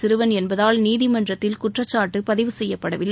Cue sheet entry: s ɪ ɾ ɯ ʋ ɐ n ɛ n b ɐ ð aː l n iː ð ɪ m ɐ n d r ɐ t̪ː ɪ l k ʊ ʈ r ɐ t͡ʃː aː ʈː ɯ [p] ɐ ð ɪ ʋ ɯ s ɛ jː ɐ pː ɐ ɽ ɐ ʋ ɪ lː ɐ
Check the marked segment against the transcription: correct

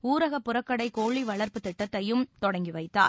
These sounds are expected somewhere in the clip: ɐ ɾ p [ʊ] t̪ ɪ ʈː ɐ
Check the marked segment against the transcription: incorrect: ɯ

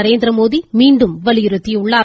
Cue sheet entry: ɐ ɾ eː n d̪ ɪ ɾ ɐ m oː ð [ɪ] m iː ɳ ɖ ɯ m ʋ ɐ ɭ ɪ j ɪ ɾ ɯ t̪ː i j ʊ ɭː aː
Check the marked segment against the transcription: incorrect: i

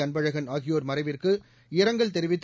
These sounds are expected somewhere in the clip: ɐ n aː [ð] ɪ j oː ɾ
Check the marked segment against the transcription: incorrect: ɣ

